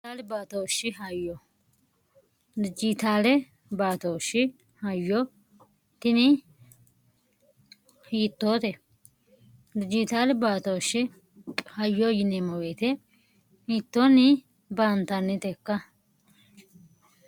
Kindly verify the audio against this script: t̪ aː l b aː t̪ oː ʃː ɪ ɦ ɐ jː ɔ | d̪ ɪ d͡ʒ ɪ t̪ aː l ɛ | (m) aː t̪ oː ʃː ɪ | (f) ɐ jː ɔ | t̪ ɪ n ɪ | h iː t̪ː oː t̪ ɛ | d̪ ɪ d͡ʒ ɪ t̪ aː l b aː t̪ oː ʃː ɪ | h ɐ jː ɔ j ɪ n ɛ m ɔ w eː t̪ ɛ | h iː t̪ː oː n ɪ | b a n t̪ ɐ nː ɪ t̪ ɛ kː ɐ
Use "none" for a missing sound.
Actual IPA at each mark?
b, h

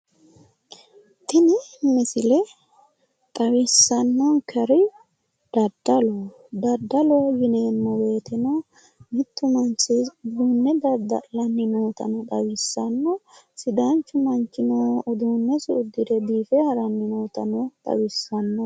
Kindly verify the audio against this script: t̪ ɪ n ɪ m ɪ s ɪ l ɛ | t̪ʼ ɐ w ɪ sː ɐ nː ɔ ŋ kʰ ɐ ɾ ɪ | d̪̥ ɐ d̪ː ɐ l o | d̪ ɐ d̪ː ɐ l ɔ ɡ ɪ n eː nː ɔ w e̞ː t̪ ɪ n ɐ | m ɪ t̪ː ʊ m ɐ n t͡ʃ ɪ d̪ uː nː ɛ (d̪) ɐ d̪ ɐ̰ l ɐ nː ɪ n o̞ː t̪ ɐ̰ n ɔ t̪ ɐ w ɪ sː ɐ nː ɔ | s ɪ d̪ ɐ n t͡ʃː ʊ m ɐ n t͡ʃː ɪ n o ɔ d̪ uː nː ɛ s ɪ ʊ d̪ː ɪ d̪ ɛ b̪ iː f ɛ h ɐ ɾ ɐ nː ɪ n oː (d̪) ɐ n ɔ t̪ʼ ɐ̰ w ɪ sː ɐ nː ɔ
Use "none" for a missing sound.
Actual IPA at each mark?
d̪, t̪

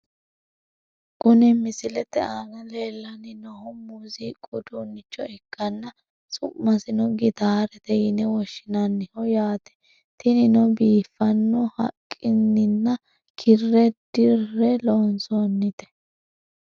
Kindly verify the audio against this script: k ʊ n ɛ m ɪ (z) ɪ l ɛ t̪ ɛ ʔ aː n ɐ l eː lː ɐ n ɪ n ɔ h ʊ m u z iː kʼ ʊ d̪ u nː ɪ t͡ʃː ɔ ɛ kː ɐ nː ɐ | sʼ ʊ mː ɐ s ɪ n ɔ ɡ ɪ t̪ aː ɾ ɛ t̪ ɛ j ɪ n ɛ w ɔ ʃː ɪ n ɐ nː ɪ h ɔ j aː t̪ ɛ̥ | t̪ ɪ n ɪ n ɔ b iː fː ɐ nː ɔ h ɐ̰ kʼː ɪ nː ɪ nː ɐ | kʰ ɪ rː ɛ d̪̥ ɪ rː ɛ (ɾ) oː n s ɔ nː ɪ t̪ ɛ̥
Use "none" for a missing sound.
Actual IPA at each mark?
s, l

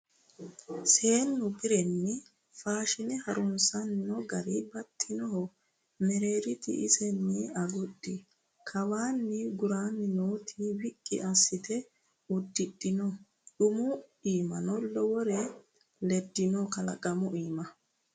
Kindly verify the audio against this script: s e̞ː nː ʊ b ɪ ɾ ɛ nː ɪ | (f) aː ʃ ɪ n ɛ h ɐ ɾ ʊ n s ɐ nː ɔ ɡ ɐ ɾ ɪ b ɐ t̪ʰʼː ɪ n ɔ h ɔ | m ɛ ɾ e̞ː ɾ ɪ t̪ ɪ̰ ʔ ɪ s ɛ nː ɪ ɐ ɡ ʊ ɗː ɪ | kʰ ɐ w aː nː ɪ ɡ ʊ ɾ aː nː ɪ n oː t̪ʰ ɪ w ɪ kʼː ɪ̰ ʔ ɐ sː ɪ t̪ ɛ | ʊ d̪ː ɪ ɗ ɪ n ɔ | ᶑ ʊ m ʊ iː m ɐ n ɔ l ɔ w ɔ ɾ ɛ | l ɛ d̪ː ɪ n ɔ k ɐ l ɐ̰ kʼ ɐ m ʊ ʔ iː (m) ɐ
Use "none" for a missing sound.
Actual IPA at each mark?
f, m

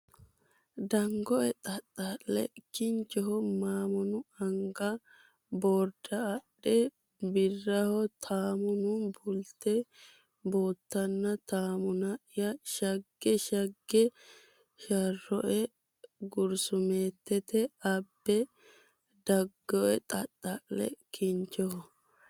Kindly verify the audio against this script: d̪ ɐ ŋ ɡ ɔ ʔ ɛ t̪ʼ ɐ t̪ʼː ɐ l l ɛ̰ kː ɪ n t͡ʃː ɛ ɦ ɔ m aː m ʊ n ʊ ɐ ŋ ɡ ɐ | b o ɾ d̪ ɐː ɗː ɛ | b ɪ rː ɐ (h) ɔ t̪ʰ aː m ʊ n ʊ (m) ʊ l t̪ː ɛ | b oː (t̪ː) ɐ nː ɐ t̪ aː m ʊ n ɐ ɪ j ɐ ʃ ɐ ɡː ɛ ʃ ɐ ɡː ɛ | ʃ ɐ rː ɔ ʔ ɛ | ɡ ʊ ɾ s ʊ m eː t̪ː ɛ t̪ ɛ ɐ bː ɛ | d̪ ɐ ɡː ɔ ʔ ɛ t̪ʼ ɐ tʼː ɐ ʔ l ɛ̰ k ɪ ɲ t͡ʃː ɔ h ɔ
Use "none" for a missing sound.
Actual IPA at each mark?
h, b, t̪ː

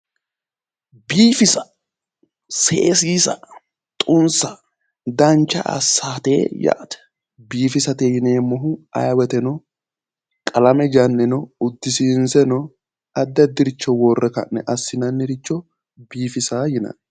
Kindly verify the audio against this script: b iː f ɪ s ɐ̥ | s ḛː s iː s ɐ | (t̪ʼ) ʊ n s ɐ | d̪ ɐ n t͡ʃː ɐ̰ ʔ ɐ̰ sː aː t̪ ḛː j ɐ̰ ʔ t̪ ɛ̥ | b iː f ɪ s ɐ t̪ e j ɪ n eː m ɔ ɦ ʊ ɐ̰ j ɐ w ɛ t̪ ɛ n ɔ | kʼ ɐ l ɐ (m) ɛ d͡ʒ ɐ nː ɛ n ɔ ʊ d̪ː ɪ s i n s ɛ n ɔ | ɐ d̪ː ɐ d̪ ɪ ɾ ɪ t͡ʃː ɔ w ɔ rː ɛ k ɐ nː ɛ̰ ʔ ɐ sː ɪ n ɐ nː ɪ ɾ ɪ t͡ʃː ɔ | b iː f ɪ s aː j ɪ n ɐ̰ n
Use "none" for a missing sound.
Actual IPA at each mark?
t̪ʼ, m

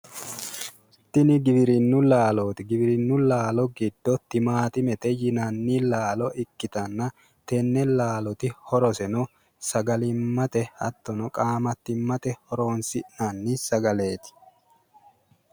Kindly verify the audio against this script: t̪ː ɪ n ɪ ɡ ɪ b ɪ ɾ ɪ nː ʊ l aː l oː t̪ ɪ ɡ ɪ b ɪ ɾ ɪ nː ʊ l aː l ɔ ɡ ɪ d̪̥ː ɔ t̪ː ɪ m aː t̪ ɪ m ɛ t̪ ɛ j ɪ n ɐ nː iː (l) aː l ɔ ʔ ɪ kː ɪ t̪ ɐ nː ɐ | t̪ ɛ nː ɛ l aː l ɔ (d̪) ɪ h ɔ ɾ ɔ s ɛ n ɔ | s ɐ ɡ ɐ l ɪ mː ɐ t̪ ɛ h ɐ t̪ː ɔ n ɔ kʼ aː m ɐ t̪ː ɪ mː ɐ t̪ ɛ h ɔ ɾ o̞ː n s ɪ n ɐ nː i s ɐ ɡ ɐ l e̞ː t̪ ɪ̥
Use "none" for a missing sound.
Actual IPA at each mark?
l, t̪

